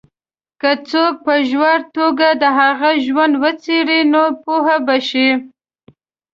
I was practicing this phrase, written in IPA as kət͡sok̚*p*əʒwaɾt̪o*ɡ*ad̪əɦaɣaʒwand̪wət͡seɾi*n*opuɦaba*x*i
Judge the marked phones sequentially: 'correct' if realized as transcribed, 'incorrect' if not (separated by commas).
correct, correct, correct, incorrect